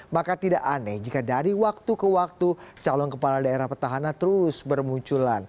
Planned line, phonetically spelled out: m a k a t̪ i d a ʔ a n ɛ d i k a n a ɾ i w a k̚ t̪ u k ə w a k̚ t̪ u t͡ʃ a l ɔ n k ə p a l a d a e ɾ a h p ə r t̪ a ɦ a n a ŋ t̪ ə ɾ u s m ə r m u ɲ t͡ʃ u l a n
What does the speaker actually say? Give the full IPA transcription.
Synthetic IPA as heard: m a k a t̪ i d a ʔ a n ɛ d͡ʒ i k a d a ɾ i w a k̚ t̪ u k ə w a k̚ t̪ u t͡ʃ a l ɔ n k ə p a l a d a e ɾ a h p ə r t̪ a ɦ a n a n t̪ ə ɾ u s b ə r m u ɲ t͡ʃ u l a n